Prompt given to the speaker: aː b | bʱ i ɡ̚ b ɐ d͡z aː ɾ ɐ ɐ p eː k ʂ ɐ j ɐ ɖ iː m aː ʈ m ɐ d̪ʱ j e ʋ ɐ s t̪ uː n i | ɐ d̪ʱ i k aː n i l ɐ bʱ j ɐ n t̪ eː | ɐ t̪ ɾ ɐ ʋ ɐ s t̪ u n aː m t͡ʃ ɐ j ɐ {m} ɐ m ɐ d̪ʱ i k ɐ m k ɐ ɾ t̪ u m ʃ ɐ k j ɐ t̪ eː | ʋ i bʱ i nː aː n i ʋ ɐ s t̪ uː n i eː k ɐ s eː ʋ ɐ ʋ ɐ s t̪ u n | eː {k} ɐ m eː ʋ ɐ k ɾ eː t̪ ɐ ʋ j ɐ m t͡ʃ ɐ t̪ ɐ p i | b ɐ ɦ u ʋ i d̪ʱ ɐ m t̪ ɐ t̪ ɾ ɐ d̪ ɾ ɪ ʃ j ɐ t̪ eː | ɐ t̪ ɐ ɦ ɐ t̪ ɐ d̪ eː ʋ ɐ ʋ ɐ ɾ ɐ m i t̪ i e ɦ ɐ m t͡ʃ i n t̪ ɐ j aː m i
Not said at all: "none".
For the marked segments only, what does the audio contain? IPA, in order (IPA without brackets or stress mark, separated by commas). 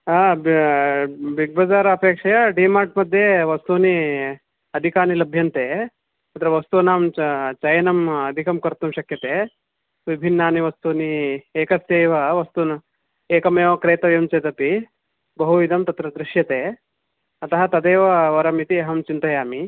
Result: n, k